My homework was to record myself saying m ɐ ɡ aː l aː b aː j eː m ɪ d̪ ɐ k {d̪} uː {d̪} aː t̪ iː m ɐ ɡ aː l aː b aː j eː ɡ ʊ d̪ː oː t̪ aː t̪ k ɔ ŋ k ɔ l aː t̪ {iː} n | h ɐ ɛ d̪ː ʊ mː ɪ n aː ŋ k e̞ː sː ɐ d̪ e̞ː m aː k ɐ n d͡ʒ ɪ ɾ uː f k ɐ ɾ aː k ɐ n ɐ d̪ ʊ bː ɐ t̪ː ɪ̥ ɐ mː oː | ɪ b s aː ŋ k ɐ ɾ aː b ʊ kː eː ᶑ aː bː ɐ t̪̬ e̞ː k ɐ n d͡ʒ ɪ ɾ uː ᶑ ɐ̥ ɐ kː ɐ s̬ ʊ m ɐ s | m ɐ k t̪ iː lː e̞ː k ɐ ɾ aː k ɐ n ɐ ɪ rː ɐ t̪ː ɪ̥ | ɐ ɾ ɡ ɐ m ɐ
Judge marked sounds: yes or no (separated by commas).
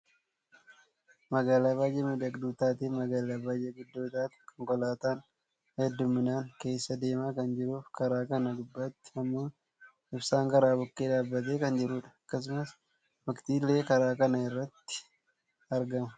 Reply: yes, no, no